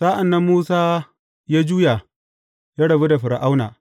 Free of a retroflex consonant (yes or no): no